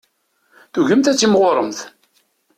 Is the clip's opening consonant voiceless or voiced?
voiceless